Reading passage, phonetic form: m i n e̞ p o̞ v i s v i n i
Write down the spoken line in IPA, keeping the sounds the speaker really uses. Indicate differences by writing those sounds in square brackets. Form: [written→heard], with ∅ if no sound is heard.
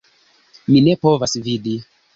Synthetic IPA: m i n e̞ p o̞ v [i→a] s v i [n→d] i